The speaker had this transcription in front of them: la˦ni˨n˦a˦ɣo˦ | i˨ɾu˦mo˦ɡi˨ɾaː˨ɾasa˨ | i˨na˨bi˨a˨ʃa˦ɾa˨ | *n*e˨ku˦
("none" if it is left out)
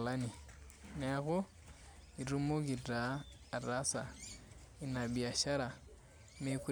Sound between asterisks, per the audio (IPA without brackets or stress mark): m